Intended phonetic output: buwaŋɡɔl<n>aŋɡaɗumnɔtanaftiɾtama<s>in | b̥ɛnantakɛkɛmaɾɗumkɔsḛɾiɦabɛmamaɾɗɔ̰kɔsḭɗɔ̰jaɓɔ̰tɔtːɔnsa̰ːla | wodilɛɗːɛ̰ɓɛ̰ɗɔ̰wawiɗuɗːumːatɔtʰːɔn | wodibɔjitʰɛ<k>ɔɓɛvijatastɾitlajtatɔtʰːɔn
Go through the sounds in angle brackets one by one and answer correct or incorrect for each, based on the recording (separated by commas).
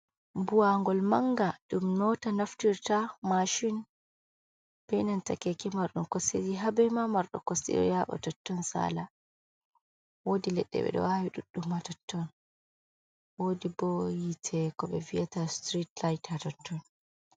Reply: incorrect, incorrect, correct